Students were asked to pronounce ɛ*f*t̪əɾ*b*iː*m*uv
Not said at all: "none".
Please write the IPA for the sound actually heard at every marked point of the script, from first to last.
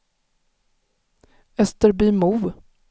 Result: s, b, m

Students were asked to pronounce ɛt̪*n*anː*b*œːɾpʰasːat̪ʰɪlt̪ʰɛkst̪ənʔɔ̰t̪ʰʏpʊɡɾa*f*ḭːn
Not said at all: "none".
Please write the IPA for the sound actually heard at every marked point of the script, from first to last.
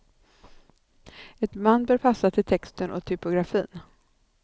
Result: m, b, f

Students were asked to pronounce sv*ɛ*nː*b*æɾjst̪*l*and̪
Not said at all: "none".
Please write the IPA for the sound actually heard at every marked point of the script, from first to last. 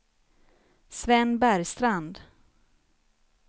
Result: ɛ, b, ɾ

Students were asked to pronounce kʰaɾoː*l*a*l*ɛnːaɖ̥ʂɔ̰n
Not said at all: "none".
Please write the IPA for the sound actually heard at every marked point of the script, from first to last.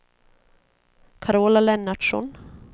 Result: l, l

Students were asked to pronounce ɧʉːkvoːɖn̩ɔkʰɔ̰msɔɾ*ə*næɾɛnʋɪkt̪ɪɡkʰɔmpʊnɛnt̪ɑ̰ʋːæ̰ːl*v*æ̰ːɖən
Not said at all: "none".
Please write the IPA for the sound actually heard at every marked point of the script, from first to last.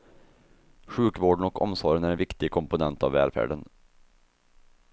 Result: ə, f

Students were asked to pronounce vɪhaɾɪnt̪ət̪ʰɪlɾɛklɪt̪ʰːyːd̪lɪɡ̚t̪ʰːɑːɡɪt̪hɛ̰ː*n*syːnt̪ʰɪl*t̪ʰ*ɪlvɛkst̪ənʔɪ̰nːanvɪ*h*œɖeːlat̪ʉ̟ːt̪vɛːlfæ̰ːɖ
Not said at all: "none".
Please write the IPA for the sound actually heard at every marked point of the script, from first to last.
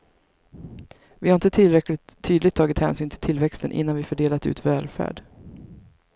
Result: n, t̪ʰ, f

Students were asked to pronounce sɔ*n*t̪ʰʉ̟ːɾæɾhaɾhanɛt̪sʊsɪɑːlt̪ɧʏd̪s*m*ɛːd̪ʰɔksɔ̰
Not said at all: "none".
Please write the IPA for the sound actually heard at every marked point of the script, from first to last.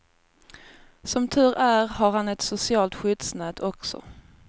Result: m, n

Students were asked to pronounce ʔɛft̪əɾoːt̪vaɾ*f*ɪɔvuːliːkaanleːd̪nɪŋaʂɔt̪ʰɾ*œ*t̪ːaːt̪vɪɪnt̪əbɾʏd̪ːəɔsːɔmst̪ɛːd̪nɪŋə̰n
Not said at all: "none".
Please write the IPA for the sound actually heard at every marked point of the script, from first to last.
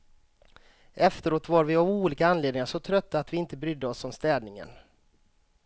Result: v, œ

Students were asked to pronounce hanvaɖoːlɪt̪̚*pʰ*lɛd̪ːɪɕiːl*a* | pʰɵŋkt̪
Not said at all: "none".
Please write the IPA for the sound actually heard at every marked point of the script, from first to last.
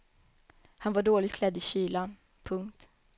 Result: kʰ, a

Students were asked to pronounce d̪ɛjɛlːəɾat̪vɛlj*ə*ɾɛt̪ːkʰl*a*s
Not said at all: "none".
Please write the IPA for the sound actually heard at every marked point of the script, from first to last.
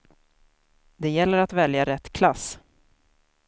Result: a, a

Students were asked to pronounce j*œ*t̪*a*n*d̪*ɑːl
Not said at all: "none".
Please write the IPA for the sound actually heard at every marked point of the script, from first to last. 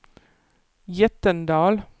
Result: ɛ, ə, d̪

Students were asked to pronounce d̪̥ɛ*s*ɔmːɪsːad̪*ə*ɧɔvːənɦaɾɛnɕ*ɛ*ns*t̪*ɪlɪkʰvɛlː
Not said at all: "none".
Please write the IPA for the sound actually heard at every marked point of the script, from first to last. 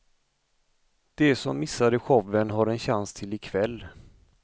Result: s, ə, a, t̪ʰ

